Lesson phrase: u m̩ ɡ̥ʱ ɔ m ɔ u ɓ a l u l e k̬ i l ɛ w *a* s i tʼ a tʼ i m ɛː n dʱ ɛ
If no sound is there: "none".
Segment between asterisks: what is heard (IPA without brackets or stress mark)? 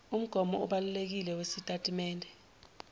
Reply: e